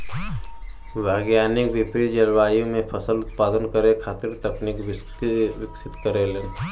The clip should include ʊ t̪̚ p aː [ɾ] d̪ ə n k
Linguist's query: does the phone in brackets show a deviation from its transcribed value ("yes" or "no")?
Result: yes